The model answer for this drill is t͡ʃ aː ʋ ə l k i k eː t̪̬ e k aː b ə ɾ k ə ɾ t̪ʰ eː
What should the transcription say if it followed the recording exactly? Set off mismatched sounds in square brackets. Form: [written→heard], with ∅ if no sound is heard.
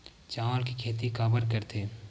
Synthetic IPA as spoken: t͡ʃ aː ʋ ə l k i [k→kʰ] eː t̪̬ [e→i] k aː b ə ɾ k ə ɾ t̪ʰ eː